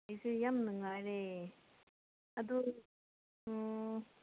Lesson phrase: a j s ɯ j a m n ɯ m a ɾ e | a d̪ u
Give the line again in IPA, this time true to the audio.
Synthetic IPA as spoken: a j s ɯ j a m n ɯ ŋ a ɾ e | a d̪ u